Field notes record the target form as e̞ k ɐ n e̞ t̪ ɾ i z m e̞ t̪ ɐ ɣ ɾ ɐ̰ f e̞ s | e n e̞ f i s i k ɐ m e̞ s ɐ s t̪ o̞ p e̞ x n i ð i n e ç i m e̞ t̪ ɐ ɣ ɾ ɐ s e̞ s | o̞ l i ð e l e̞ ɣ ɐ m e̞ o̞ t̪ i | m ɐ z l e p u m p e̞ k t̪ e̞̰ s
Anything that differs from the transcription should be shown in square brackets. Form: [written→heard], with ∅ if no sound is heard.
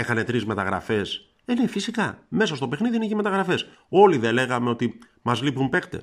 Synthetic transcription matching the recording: e̞ [k→x] ɐ n e̞ t̪ ɾ i z m e̞ t̪ ɐ ɣ ɾ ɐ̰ f e̞ s | e n e̞ f i s i k ɐ m e̞ s ɐ s t̪ o̞ p e̞ x n i ð i n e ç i m e̞ t̪ ɐ ɣ ɾ ɐ [s→f] e̞ s | o̞ l i ð e l e̞ ɣ ɐ m e̞ o̞ t̪ i | m ɐ z l [e→i] p u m p e̞ k t̪ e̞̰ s